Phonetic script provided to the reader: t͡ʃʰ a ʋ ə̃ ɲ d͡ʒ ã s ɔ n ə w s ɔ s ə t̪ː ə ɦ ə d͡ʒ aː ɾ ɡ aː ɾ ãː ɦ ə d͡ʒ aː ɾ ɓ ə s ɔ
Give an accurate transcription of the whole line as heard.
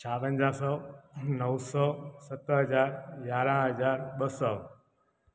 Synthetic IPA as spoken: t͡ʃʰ a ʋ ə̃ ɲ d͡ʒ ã s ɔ n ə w s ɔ s ə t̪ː ə ɦ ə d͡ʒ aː ɾ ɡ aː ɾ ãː ɦ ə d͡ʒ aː ɾ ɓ ə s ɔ

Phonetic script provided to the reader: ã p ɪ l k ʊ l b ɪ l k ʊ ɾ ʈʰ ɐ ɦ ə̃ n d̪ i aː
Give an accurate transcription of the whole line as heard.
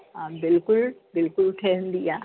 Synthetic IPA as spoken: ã b ɪ l k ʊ l b ɪ l k ʊ l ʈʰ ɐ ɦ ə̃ n d̪ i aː

